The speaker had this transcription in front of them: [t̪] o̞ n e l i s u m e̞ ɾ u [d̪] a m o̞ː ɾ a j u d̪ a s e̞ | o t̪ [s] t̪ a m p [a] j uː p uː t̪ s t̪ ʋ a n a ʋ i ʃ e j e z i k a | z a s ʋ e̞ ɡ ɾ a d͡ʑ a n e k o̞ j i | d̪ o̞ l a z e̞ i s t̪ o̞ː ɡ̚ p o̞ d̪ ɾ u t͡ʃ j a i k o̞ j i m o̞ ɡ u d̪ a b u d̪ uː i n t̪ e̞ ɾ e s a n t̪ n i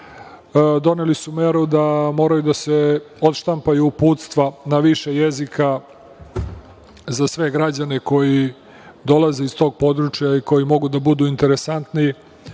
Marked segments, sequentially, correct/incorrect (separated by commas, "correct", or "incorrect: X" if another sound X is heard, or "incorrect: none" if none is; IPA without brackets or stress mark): incorrect: d̪, correct, incorrect: ʃ, correct